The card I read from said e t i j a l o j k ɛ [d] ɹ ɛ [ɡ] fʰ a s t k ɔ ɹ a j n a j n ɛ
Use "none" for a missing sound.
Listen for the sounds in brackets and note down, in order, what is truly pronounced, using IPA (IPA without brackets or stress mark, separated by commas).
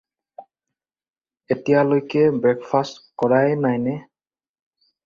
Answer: b, k